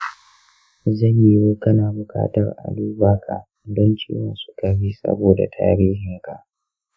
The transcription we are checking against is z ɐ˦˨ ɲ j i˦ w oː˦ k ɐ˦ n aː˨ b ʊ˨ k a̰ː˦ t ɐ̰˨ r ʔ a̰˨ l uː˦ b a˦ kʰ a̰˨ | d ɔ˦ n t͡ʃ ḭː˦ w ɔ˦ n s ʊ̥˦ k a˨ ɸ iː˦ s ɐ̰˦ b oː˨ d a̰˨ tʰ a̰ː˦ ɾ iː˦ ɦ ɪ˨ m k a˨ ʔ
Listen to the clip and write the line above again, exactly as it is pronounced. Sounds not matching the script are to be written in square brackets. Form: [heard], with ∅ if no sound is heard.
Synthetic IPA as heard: z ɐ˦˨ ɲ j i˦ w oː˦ k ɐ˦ n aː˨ b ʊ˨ k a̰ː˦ t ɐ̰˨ r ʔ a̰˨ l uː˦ b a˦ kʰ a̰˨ | d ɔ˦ n t͡ʃ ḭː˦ w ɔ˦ n s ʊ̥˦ k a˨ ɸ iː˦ s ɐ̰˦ b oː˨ d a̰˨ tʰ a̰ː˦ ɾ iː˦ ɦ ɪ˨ [ŋ] k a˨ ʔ